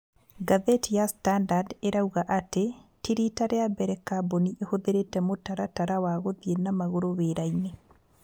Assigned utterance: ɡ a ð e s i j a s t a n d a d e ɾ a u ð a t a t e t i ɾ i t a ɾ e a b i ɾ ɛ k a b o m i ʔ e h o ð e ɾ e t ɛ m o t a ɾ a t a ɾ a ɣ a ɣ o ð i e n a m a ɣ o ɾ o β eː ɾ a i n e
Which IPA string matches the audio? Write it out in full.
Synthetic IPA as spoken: ɡ a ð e t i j a s t a n d a d e ɾ a u ɣ a ʔ a t e t i ɾ i t a ɾ e a b ɛ ɾ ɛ k a b o n i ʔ e h o ð e ɾ e t ɛ m o t a ɾ a t a ɾ a w a ɣ o ð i e n a m a ɣ o ɾ o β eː ɾ a i n e